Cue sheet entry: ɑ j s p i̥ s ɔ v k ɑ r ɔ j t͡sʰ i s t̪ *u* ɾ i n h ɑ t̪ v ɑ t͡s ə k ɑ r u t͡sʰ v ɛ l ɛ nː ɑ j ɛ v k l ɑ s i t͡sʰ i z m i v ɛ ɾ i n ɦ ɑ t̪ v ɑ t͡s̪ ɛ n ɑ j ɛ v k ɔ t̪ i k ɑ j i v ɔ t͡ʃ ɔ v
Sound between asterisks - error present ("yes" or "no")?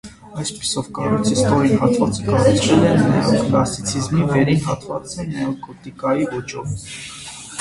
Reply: yes